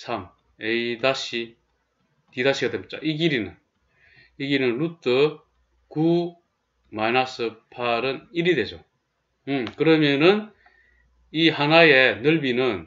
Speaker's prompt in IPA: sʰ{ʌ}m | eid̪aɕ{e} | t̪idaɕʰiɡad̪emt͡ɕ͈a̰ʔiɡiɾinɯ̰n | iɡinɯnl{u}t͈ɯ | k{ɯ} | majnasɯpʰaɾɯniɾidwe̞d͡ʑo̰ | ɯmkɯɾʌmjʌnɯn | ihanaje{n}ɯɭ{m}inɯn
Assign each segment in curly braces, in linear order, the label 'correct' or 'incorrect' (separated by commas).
incorrect, incorrect, correct, incorrect, correct, incorrect